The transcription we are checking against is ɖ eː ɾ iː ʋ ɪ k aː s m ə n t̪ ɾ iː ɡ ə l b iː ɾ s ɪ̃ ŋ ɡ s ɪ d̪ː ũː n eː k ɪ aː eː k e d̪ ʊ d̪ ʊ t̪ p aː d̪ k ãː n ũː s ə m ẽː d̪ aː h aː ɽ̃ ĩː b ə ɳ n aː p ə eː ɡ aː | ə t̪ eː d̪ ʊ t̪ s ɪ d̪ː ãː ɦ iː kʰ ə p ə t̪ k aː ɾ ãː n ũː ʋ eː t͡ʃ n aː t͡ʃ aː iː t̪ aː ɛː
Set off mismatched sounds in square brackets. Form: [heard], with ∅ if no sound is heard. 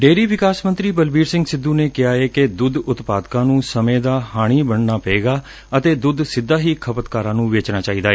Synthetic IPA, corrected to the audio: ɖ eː ɾ iː ʋ ɪ k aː s m ə n t̪ ɾ iː [b] ə l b iː ɾ s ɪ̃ ŋ ɡ s ɪ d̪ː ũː n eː k ɪ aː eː k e d̪ ʊ d̪ ʊ t̪ p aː d̪ k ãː n ũː s ə m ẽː d̪ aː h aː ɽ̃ [iː] b ə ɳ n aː p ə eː ɡ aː | ə t̪ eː d̪ ʊ [d̪] s ɪ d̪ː [aː] ɦ iː kʰ ə p ə t̪ k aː ɾ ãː n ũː ʋ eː t͡ʃ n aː t͡ʃ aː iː [d̪] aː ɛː